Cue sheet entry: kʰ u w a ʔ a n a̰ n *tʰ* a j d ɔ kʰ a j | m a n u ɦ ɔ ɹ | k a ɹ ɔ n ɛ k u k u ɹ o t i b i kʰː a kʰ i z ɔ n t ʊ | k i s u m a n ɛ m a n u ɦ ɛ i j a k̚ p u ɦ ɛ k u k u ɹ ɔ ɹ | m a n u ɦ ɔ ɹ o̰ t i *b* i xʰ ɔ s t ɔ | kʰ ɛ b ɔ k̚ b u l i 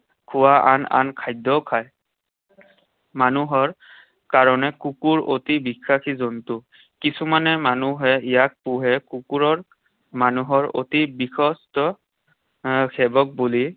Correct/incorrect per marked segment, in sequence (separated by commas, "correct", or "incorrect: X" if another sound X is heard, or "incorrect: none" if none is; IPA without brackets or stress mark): incorrect: kʰ, correct